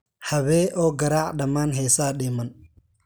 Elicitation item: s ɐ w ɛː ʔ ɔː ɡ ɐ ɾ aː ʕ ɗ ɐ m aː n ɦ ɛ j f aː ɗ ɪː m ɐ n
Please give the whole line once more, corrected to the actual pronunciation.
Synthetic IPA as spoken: h ɐ β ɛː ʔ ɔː ɡ ɐ ɾ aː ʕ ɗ ɐ m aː n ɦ ɛ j s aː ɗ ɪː m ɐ n